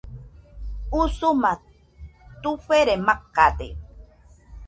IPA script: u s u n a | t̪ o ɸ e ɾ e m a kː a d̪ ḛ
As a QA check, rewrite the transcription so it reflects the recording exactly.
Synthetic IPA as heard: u s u m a | t̪ u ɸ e ɾ e m a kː a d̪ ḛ